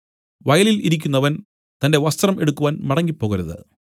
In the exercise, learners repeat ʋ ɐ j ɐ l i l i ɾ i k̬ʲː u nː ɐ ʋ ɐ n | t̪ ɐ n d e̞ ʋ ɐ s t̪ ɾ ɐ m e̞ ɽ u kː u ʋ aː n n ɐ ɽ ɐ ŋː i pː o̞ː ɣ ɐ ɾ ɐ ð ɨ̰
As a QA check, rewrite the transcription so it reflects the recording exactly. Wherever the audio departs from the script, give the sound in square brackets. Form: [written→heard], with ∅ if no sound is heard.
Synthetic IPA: ʋ ɐ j ɐ l i l i ɾ i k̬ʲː u nː ɐ ʋ ɐ n | t̪ ɐ n d e̞ ʋ ɐ s t̪ [ɾ→r] ɐ m e̞ ɽ u kː u ʋ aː n [n→m] ɐ ɽ ɐ ŋː i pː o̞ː ɣ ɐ ɾ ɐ ð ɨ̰